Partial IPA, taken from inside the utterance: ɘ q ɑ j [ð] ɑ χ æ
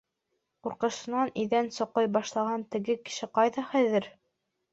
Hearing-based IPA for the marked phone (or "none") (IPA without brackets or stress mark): ð